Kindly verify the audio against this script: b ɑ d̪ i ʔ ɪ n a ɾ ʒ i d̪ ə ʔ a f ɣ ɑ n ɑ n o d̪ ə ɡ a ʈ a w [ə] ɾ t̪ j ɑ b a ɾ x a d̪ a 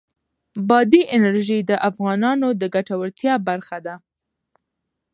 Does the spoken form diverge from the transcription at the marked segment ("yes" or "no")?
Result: no